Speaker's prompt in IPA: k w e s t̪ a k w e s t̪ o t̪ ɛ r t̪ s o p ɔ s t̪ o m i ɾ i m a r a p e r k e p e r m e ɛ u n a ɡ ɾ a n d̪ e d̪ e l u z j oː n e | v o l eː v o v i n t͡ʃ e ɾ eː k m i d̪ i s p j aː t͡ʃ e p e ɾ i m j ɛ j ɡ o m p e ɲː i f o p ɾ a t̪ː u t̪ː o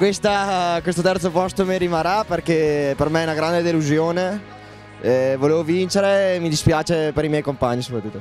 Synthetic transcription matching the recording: k w e s t̪ a k w e s t̪ o t̪ ɛ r t̪ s o p ɔ s t̪ o m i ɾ i m a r a p e r k e p e r m e ɛ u n a ɡ ɾ a n d̪ e d̪ e l u z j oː n e | v o l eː v o v i n t͡ʃ e ɾ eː m i d̪ i s p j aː t͡ʃ e p e ɾ i m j ɛ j k o m p a ɲː i s o p ɾ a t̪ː u t̪ː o